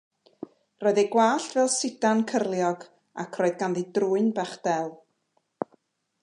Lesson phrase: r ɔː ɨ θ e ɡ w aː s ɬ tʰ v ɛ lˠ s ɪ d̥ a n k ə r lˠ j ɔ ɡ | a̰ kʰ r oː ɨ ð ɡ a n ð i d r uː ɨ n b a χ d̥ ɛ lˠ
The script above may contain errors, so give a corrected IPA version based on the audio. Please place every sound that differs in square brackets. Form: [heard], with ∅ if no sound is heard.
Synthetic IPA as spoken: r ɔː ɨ [ð] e ɡ w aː [∅] ɬ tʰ v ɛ lˠ s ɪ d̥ a n [kʰ] ə r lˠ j ɔ ɡ | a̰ kʰ r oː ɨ ð ɡ a n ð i d r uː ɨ n b a χ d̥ ɛ lˠ